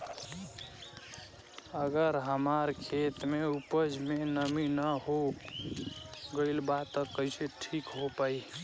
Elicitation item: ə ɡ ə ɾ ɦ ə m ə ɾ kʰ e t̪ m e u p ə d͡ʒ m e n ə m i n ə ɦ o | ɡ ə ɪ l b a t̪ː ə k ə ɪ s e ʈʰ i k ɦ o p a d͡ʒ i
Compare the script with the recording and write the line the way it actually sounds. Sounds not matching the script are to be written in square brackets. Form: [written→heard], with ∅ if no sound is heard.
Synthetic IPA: ə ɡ ə ɾ ɦ ə m [ə→a] ɾ kʰ e t̪ m e u p ə d͡ʒ m e n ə m i n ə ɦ o | ɡ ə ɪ l b a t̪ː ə k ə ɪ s e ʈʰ i k ɦ o p a [d͡ʒ→∅] i